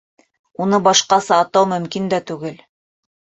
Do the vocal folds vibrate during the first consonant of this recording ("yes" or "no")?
yes